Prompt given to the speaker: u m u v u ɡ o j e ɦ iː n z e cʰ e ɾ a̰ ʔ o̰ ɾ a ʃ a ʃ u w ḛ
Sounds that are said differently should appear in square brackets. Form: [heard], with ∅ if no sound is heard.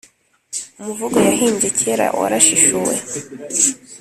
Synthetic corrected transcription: u m u v u ɡ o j [a] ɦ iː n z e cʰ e ɾ a̰ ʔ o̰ ɾ a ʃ [i] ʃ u w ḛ